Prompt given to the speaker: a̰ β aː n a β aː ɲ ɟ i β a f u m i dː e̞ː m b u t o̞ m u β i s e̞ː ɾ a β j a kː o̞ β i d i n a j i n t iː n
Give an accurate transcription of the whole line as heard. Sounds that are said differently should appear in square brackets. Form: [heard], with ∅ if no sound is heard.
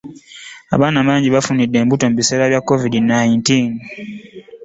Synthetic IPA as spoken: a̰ β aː n a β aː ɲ ɟ i β a f u [n] i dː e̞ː m b u t o̞ m u β i s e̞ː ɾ a β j a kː o̞ [v] i d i n a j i n t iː n